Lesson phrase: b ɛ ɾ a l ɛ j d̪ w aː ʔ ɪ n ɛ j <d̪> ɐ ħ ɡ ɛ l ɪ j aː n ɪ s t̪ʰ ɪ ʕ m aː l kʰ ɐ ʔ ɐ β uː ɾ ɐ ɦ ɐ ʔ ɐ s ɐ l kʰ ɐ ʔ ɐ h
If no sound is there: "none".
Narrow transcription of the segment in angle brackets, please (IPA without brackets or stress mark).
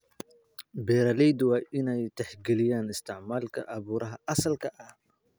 t̪